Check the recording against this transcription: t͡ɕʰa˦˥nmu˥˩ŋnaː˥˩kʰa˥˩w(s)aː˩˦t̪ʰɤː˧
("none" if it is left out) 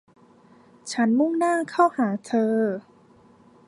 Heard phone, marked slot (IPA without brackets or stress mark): h